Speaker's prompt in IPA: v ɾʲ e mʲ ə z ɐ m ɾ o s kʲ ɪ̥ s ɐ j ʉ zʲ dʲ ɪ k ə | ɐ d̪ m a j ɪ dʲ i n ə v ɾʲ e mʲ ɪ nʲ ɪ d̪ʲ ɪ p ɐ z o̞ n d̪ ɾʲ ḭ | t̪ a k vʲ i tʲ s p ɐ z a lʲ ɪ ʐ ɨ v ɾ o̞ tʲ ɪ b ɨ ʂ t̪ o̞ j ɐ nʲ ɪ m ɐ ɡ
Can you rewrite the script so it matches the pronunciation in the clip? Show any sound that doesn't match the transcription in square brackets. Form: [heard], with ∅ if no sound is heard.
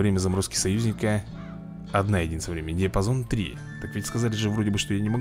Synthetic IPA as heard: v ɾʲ e mʲ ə z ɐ m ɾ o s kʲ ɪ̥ s ɐ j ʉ zʲ [nʲ] ɪ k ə | ɐ d̪ [n] a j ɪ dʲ i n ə v ɾʲ e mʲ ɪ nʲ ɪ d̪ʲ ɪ p ɐ z o̞ n [t̪] ɾʲ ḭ | t̪ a k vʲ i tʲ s [k] ɐ z a lʲ ɪ ʐ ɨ v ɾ o̞ [dʲ] ɪ b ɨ ʂ t̪ o̞ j [a] nʲ ɪ m ɐ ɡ